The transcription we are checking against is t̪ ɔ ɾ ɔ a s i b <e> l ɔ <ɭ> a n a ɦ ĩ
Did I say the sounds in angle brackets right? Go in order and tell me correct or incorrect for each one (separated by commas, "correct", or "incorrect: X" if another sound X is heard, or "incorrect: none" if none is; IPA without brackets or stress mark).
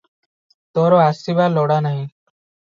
incorrect: a, incorrect: ɽ